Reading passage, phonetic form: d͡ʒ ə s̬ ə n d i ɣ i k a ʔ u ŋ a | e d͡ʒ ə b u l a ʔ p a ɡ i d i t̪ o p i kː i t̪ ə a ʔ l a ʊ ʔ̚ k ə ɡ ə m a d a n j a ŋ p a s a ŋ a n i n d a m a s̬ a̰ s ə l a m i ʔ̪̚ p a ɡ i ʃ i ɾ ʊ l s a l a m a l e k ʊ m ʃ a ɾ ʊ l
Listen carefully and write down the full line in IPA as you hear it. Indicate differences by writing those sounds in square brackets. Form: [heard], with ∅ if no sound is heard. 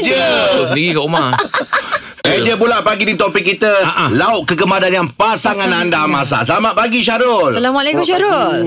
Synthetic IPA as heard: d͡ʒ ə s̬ ə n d i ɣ i k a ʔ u [m] a | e d͡ʒ ə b u l a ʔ p a ɡ i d i t̪ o p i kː i t̪ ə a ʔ l a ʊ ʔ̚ k ə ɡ ə m a d a n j a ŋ p a s a ŋ a n [a] n d a m a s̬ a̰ s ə l a m [a] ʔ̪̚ p a ɡ i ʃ [a] ɾ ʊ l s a l a m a l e k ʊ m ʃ a ɾ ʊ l